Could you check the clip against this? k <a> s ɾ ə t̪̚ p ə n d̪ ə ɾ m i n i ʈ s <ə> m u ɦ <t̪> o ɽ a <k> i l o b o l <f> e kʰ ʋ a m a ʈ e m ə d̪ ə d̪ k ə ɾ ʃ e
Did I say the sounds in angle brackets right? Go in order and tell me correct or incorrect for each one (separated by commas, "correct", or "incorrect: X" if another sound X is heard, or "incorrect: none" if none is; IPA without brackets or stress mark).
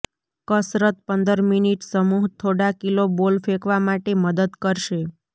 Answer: incorrect: ə, correct, incorrect: t̪ʰ, correct, correct